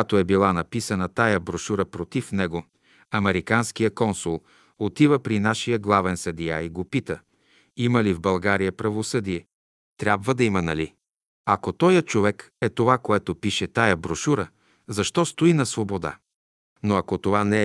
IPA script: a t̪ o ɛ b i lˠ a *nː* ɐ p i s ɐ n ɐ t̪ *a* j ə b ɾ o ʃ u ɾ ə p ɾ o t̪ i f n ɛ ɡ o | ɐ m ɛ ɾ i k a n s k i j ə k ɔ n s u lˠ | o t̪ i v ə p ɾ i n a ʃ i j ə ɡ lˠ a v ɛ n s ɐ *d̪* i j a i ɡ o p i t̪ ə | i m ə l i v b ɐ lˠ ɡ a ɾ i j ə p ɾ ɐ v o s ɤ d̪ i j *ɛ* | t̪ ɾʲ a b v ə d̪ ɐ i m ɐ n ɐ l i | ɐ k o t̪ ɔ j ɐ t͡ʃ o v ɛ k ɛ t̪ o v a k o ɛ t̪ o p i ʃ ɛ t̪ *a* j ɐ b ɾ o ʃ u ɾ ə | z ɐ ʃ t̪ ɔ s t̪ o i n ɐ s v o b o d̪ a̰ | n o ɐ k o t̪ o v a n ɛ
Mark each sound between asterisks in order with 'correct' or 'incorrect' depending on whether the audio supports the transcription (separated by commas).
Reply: incorrect, correct, correct, correct, correct